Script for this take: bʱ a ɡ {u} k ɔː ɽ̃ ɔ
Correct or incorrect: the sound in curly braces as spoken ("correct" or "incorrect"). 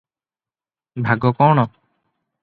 incorrect